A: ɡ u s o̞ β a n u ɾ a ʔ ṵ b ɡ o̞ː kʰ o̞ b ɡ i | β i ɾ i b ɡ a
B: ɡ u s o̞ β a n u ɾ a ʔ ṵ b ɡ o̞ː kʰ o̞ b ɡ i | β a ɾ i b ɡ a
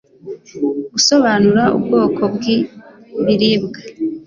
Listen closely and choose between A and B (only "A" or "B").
A